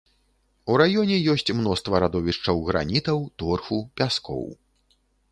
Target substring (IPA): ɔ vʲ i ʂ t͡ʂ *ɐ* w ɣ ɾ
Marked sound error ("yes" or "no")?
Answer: no